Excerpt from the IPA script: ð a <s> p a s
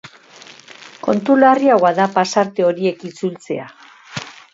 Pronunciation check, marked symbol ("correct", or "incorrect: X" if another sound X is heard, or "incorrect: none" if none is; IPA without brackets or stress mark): incorrect: none